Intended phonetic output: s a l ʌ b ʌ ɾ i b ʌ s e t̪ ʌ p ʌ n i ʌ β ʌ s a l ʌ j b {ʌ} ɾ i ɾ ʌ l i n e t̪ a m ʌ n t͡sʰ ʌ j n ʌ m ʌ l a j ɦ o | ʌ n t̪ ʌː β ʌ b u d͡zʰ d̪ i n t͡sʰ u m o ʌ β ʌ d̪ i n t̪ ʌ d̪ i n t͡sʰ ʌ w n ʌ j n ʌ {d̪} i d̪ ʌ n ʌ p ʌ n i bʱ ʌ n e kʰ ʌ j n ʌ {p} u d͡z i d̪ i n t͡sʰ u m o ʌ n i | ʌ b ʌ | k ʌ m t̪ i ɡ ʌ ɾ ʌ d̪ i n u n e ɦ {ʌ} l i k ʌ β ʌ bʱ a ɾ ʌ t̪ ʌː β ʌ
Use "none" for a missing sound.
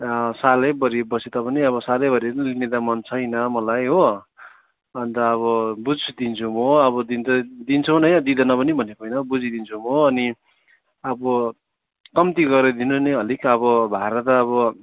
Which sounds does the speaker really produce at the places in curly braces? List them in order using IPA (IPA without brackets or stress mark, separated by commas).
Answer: ʌ, d̪, b, ʌ